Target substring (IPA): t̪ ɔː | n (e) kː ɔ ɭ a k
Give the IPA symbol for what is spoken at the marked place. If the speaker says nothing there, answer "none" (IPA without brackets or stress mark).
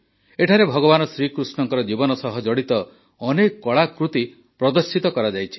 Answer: e